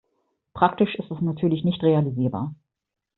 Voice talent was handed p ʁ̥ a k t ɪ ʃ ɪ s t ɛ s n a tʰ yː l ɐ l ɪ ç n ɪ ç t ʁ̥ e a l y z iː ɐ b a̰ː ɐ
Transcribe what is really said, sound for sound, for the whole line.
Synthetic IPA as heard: p ʁ̥ a k t ɪ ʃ ɪ s t ɛ s n a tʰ yː ɐ l ɪ ç n ɪ ç t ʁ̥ e a l i z iː ɐ b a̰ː ɐ